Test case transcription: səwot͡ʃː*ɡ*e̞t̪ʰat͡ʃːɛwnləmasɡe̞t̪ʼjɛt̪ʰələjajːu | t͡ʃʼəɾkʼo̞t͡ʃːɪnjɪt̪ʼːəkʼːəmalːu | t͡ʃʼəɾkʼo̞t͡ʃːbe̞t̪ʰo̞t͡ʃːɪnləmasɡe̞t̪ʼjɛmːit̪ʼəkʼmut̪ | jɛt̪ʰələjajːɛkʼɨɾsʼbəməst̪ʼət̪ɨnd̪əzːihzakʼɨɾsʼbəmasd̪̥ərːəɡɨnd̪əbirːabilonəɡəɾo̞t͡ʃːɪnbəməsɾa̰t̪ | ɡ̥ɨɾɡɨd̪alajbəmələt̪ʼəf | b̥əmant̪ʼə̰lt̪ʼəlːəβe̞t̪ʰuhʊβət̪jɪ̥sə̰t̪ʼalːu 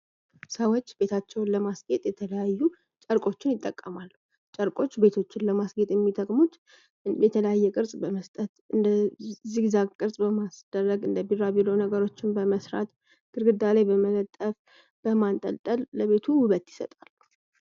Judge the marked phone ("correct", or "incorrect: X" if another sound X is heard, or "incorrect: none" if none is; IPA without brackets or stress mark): incorrect: b